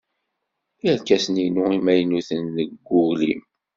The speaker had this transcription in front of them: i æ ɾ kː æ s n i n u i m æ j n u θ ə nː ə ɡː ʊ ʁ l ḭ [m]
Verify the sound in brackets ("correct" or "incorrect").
correct